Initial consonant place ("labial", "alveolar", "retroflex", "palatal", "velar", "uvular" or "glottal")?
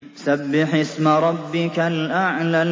alveolar